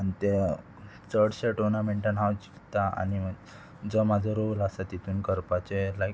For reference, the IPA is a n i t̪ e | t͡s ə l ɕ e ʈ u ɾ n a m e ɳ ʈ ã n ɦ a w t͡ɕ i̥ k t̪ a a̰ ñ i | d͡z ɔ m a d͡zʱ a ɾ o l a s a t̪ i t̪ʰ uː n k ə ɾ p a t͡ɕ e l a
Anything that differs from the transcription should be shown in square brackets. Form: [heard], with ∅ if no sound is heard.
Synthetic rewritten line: a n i t̪ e | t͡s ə [ɽ] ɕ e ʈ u ɾ n a m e ɳ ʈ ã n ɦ a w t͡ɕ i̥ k t̪ a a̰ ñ i | d͡z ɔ m a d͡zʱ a ɾ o l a s a t̪ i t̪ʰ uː n k ə ɾ p a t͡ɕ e l a